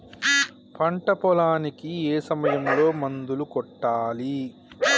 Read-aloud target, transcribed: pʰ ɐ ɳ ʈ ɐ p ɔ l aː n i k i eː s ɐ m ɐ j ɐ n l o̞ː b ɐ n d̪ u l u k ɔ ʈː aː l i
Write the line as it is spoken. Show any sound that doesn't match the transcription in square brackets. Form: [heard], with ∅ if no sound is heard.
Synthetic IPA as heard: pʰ ɐ ɳ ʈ ɐ p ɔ l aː n i k i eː s ɐ m ɐ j ɐ [m] l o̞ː [m] ɐ n d̪ u l u k ɔ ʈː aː l i